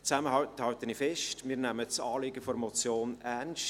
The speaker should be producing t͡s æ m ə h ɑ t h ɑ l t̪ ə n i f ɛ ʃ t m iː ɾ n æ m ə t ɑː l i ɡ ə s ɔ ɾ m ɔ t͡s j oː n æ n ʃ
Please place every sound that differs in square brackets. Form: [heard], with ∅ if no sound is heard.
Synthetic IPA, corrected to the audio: t͡s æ m ə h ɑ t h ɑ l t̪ ə n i f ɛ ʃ t m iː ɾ n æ m ə [t͡s] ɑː l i ɡ ə [f] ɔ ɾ m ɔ t͡s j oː n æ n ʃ